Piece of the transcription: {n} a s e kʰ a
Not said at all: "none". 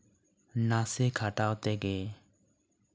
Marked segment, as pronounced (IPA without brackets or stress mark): n